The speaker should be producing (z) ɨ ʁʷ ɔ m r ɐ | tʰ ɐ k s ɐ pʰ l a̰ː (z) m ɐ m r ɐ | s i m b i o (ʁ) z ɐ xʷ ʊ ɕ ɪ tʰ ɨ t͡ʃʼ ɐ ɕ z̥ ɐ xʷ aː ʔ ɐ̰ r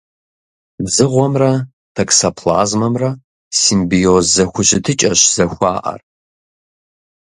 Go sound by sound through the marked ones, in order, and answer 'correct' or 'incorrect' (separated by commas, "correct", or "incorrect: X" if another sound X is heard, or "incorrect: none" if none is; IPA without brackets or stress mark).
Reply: correct, correct, incorrect: z